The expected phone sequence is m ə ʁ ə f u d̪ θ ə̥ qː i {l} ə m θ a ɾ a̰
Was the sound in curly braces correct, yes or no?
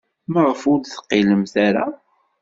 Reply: yes